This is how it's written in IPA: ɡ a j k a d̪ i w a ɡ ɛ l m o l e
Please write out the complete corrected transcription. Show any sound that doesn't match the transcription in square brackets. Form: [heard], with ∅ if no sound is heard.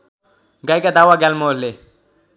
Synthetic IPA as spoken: ɡ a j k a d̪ [a] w a ɡ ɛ l m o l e